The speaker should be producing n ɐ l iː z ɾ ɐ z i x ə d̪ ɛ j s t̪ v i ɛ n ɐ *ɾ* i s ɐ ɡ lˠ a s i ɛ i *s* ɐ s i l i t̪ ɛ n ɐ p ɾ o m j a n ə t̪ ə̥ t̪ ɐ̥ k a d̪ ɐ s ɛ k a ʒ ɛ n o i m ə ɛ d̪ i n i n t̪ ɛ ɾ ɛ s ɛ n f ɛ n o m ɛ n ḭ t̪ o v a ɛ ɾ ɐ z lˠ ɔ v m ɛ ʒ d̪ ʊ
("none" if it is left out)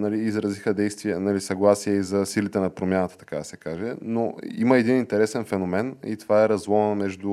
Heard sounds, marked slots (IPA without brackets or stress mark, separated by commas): l, z